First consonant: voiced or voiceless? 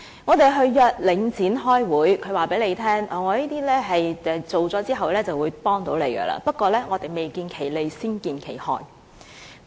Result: voiced